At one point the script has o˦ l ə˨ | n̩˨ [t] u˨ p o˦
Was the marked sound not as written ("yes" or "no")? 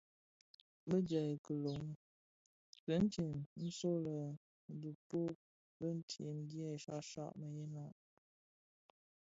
yes